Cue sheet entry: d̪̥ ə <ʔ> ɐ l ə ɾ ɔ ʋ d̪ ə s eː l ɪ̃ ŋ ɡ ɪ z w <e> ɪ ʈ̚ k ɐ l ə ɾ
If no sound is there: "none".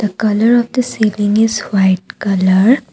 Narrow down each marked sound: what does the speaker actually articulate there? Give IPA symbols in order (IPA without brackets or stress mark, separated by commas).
k, a